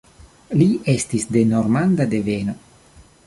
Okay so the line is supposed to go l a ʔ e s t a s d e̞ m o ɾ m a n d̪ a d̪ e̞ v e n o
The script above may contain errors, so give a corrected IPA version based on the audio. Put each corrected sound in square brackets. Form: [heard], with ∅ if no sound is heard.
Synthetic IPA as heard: l [i] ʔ e s t [i] s d e̞ [n] o ɾ m a n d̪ a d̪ e̞ v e n o